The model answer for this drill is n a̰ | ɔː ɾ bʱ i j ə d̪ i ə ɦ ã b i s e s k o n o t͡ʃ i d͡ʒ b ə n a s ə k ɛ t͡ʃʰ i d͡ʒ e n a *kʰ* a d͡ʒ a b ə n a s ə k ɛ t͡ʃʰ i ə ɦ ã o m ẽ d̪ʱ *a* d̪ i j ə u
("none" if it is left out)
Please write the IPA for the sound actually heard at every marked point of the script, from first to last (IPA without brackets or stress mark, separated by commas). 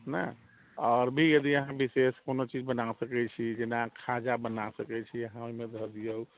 kʰ, ə